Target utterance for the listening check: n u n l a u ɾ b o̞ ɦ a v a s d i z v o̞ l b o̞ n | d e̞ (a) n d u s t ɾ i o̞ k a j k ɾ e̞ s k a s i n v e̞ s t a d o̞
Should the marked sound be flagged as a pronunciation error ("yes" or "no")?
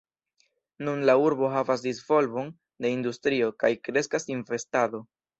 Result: yes